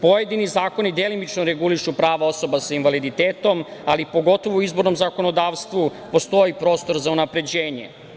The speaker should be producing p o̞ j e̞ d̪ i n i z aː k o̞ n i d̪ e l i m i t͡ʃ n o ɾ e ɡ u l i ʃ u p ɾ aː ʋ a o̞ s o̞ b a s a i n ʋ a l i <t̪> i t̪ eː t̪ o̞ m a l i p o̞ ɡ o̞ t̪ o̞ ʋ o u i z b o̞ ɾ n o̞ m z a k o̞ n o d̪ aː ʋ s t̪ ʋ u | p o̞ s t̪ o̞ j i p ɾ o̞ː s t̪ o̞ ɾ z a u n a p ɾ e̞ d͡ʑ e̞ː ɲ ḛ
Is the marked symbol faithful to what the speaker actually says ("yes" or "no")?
no